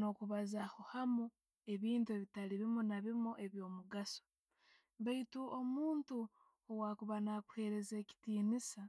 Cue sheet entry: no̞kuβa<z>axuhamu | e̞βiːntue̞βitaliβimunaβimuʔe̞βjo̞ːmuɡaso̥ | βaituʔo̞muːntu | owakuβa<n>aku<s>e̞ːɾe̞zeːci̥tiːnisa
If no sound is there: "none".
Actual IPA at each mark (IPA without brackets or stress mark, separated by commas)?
z, n, h